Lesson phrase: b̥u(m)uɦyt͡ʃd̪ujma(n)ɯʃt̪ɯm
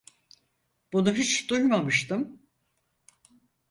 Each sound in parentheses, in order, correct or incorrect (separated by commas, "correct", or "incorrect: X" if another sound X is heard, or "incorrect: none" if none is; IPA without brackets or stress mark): incorrect: n, incorrect: m